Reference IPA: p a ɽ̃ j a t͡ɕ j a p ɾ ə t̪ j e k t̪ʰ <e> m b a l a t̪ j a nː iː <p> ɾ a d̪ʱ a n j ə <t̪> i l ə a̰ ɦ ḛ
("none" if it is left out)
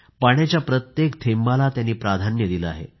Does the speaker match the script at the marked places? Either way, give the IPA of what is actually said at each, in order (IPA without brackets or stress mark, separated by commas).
e, p, d̪